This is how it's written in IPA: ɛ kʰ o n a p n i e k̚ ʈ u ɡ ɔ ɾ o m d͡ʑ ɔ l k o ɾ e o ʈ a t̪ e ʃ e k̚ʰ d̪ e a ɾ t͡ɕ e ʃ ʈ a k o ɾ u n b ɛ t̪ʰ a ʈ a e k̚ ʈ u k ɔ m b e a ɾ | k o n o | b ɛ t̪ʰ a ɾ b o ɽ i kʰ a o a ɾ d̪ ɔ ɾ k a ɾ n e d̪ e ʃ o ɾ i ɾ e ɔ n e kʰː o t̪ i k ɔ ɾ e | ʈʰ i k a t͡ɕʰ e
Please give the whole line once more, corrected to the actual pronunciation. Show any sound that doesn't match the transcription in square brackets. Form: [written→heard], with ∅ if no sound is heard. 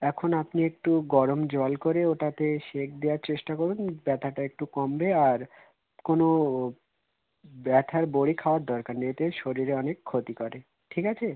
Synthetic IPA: ɛ kʰ o n a p n i e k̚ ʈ u ɡ ɔ ɾ o m d͡ʑ ɔ l k o ɾ e o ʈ a t̪ e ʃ e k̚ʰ d̪ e a ɾ t͡ɕ e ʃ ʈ a k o ɾ u n b ɛ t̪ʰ a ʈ a e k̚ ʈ u k ɔ m b e a ɾ | k o n o | b ɛ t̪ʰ a ɾ b o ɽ i kʰ a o a ɾ d̪ ɔ ɾ k a ɾ n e [d̪→t̪] e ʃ o ɾ i ɾ e ɔ n e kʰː o t̪ i k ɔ ɾ e | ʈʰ i k a t͡ɕʰ e